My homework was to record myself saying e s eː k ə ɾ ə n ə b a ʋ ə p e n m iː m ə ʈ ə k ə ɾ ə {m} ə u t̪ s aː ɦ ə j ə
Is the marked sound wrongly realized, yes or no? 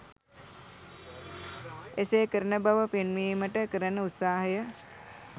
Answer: yes